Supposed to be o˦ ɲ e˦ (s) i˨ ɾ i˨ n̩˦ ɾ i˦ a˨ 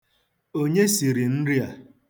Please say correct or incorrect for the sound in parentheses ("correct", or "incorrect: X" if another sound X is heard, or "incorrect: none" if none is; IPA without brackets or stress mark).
correct